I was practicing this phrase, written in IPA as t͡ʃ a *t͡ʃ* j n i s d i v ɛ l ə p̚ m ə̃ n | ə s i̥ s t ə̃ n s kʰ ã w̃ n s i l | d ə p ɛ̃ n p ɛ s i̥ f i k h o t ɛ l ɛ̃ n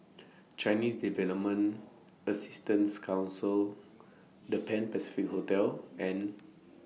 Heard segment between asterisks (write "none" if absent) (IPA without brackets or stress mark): none